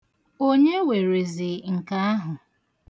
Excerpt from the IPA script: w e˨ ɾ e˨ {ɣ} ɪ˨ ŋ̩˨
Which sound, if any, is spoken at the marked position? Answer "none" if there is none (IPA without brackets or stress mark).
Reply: z